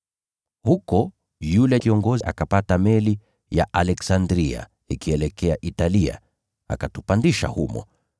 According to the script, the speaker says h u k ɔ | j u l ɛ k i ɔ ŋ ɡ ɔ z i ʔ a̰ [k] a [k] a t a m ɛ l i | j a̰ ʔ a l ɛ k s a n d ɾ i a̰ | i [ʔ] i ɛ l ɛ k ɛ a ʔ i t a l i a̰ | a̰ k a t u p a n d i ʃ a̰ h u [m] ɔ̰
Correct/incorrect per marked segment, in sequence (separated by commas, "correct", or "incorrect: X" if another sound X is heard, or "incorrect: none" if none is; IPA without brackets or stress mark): correct, incorrect: p, incorrect: k, correct